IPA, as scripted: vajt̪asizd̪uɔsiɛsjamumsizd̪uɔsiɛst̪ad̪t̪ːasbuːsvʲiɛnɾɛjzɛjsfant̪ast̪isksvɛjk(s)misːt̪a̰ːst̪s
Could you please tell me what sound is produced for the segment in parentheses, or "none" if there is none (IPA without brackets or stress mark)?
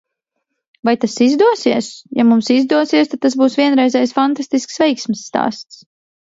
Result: s